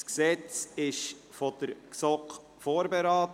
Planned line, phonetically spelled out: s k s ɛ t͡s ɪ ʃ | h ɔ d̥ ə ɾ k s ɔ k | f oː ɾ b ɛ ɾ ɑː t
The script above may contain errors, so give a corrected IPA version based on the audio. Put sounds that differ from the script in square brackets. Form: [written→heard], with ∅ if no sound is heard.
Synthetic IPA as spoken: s k s ɛ t͡s ɪ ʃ | [h→f] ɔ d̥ ə ɾ k s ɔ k | f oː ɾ b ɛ ɾ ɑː t